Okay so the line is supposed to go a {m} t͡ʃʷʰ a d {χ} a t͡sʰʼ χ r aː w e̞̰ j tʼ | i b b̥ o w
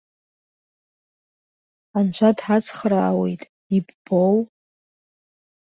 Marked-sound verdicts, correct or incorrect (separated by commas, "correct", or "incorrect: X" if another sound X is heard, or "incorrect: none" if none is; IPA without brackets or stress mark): incorrect: n, incorrect: ħ